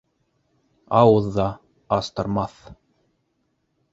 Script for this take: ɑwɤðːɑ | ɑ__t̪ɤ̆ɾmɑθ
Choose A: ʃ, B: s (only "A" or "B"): B